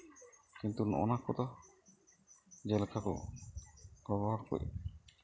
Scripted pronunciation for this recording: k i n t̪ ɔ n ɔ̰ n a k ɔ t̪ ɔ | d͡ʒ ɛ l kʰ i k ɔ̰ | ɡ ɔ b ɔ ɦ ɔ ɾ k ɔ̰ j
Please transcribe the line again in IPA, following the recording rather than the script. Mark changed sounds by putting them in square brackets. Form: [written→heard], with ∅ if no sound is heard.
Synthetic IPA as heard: k i n t̪ [ɔ→u] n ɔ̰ n a k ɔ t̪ ɔ | d͡ʒ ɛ l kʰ [i→a] k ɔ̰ | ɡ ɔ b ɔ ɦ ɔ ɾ k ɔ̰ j